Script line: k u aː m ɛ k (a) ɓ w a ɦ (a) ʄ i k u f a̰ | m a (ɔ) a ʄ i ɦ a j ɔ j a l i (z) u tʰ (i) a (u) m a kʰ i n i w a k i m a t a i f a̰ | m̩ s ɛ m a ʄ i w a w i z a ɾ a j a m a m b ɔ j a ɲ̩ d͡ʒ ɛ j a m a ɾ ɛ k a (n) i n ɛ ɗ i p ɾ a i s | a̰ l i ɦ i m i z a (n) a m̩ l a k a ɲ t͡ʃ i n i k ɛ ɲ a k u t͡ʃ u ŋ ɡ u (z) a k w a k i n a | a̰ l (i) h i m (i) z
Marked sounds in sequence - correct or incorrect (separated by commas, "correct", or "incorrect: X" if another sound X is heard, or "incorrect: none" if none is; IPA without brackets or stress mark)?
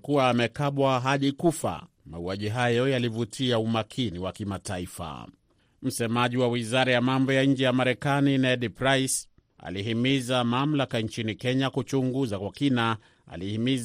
correct, correct, incorrect: u, incorrect: v, correct, correct, correct, incorrect: m, correct, correct, correct